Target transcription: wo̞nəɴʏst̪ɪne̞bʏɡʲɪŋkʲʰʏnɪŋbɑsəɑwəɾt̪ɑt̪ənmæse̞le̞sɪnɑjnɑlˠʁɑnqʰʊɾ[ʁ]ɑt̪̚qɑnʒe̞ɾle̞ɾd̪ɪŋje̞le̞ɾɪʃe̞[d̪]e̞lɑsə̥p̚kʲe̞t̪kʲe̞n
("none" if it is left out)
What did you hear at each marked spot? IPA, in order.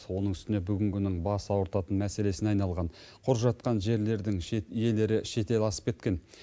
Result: ʒ, t̪

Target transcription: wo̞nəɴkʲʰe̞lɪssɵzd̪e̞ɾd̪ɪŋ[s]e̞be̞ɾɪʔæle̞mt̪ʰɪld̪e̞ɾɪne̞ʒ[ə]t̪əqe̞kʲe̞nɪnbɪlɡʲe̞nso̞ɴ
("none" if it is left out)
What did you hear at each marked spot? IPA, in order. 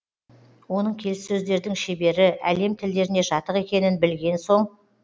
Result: ʃ, ɑ

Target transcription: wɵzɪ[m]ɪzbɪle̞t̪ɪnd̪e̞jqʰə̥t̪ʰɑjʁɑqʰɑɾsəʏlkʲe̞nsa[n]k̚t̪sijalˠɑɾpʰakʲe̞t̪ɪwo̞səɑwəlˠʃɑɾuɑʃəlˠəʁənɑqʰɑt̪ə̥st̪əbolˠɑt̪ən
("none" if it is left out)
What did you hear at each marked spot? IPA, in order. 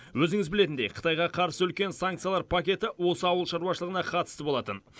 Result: ŋ, ŋ

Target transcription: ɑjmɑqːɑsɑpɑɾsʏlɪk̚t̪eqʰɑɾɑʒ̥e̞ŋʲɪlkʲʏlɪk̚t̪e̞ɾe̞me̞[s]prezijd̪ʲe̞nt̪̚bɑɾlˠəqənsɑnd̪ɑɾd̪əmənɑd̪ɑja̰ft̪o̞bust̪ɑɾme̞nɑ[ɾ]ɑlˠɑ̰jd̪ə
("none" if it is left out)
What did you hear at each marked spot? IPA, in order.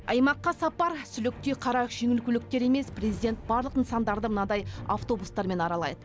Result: s, ɾ

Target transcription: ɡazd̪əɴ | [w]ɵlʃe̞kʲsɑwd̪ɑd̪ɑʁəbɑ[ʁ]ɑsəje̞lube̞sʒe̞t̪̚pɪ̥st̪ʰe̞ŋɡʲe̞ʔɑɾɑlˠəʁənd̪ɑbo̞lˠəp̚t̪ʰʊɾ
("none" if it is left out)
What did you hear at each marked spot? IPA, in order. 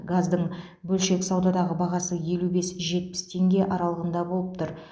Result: b, ʁ

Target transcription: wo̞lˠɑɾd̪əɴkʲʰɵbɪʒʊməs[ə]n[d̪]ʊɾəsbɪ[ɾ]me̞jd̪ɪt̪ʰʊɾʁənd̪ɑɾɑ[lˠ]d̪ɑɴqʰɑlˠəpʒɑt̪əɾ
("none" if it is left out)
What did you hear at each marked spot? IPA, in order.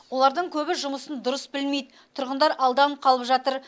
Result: ə, d̪, l, lˠ

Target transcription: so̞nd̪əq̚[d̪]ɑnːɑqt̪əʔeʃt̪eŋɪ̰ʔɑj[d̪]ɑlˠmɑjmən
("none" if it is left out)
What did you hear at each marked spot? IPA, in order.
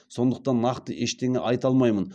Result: t̪, t̪

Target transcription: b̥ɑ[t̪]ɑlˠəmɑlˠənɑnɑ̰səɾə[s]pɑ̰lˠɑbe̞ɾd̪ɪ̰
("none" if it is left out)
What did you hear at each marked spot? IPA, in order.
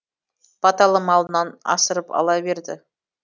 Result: t̪, none

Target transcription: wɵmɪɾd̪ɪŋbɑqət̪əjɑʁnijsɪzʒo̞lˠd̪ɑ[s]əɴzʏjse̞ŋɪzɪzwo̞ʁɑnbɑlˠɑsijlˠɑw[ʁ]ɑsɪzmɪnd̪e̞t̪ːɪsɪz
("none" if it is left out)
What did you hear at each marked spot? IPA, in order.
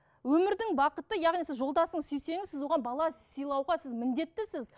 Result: s, ʁ

